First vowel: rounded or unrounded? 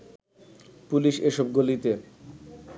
rounded